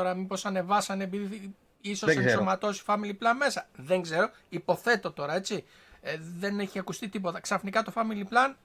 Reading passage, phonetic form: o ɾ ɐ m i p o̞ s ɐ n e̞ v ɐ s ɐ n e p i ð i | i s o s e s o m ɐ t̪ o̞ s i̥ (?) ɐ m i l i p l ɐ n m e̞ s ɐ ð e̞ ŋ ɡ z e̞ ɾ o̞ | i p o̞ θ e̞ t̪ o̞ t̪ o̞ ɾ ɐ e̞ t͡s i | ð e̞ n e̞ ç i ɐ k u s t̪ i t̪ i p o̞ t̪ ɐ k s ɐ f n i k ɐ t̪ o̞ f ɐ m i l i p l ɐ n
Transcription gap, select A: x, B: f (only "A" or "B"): B